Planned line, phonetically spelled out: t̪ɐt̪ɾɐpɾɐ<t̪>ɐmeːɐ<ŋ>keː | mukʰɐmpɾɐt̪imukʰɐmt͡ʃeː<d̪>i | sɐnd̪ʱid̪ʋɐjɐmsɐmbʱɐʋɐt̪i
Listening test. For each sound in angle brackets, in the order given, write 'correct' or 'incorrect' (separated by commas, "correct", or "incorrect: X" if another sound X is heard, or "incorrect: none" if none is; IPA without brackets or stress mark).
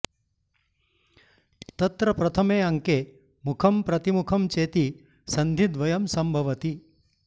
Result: incorrect: t̪ʰ, correct, incorrect: t̪